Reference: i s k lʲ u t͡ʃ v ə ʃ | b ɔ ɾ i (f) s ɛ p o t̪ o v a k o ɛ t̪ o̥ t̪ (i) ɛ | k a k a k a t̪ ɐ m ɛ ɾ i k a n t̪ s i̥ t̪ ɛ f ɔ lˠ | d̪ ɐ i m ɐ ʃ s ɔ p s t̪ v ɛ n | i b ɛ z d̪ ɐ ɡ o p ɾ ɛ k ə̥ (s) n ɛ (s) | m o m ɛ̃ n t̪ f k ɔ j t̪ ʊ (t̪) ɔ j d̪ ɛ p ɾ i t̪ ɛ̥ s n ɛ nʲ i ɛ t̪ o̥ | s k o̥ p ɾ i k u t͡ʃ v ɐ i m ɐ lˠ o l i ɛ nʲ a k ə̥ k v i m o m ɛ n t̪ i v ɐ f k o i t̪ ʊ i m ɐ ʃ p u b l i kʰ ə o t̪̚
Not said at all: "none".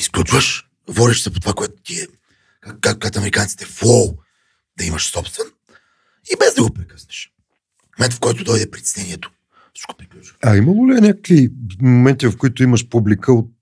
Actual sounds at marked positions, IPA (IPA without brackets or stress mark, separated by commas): ʃ, i, s, ʃ, d̪